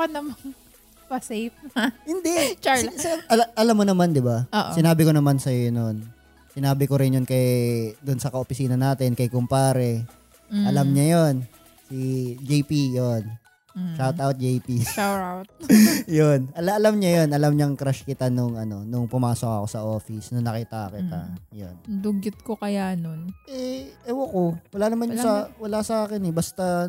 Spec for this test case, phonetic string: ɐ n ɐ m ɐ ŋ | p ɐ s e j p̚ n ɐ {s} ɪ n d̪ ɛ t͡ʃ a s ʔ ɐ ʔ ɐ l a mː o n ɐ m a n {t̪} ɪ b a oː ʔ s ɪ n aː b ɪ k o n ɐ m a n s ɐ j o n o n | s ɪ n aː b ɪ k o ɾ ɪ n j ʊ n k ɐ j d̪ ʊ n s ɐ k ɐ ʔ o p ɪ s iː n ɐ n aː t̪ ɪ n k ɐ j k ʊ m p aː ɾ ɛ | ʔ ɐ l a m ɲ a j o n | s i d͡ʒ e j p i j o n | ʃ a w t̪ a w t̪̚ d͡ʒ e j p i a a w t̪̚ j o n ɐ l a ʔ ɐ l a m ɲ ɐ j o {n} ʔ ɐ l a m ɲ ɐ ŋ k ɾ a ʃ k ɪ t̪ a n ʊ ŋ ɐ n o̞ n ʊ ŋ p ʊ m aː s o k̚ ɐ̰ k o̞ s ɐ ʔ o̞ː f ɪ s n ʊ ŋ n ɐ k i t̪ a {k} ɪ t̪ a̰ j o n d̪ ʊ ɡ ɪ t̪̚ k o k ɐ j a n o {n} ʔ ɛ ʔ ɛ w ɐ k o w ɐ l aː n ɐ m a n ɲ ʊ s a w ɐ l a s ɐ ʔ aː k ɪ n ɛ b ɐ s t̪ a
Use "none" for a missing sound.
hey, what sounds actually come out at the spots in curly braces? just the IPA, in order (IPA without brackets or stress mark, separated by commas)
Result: h, d̪, n, k, n